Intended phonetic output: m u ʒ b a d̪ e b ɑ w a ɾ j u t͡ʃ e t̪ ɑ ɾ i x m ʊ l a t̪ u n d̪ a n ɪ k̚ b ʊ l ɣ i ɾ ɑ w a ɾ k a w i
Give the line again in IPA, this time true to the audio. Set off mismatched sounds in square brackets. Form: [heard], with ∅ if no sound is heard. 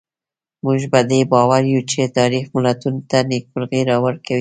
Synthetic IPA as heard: m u ʒ b a d̪ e b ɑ w a ɾ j u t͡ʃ e t̪ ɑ ɾ i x m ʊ l a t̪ u n [t̪] a n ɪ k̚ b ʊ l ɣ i ɾ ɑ w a ɾ k a w i

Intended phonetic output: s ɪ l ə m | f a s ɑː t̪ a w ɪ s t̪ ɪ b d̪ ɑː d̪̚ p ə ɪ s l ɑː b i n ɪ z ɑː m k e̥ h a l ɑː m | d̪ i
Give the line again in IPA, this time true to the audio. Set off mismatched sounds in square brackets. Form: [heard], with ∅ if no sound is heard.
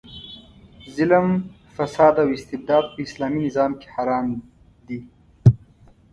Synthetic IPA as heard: [z] ɪ l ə m | f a s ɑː [d̪] a w ɪ s t̪ ɪ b d̪ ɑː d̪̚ p ə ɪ s l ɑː [m] i n ɪ z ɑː m k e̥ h a [ɾ] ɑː m | d̪ i

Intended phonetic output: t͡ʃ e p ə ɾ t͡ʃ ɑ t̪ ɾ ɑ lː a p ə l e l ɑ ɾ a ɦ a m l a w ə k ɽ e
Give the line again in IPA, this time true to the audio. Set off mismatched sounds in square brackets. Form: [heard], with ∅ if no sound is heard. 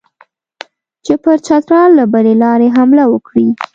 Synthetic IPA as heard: t͡ʃ e p ə ɾ t͡ʃ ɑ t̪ ɾ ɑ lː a [b] ə l e l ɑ ɾ [e] ɦ a m l a w ə k ɽ [i]

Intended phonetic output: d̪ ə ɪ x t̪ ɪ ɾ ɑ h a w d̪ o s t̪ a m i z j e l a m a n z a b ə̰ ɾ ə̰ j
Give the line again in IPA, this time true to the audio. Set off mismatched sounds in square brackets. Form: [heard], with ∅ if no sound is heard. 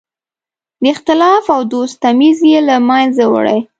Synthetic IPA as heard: d̪ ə ɪ x t̪ ɪ [l] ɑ [f] a w d̪ o s t̪ a m i z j e l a m a n z a [w] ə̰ [ɽ] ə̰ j

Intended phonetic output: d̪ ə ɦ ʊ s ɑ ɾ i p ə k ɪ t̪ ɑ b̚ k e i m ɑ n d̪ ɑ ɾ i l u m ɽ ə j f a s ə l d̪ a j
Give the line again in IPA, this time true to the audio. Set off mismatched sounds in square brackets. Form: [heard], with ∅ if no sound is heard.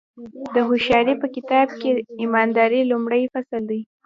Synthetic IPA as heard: d̪ ə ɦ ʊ [ʃ] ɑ ɾ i p ə k ɪ t̪ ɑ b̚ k e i m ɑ n d̪ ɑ ɾ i l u m ɽ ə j f a s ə l d̪ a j

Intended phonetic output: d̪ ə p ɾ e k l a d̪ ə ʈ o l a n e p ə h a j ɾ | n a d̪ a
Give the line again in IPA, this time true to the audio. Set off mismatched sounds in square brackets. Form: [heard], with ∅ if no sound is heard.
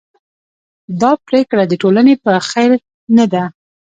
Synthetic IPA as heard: d̪ [ɑ] p ɾ e k [ɽ] a d̪ ə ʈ o l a n e p ə [x] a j ɾ | n a d̪ a

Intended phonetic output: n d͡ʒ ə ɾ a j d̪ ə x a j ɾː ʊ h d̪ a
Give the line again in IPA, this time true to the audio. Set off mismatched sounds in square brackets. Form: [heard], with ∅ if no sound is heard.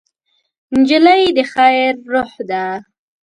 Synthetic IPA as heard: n d͡ʒ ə [l] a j d̪ ə x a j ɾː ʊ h d̪ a

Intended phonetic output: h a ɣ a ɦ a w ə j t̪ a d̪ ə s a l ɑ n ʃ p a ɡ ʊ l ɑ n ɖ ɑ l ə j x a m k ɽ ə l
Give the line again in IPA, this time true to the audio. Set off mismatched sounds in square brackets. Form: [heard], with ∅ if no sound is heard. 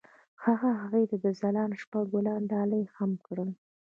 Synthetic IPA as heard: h a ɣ a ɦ a [ɣ] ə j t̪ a d̪ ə [z] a l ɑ n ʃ p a ɡ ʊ l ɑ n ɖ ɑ l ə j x a m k ɽ ə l

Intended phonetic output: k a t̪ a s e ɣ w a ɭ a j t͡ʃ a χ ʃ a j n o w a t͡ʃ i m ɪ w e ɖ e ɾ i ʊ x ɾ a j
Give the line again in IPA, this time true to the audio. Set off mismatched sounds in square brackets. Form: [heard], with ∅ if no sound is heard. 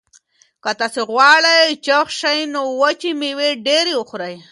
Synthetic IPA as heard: k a t̪ a s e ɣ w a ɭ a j t͡ʃ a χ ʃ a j n o w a t͡ʃ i m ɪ w e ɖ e ɾ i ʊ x ɾ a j

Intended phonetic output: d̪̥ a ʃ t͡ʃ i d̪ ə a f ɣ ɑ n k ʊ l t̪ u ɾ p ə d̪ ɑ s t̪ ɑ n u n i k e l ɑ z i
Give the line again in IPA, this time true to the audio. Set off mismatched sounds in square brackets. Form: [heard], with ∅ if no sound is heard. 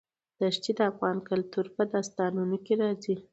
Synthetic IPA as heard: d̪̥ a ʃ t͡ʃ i d̪ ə a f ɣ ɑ n k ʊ l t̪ u ɾ p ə d̪ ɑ s t̪ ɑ n u n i k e [ɾ] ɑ z i

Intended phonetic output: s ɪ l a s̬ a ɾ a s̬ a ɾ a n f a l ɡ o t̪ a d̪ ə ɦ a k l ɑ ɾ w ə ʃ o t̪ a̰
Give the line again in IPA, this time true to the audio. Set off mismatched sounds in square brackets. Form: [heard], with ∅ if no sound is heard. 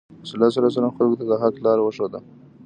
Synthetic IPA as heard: s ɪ l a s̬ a ɾ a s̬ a ɾ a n [x] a l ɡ o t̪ a d̪ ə ɦ a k l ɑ ɾ w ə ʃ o [d̪] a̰

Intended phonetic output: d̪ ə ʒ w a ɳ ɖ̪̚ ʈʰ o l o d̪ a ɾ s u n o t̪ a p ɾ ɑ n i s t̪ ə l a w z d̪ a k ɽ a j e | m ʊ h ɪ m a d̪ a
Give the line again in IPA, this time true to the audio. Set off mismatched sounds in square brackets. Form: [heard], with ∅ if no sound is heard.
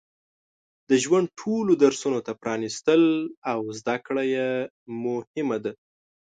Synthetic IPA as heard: d̪ ə ʒ w a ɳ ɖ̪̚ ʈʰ o l o d̪ a ɾ s u n o t̪ a p ɾ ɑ n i s t̪ ə l a w z d̪ a k ɽ a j e | m ʊ h ɪ m a d̪ a

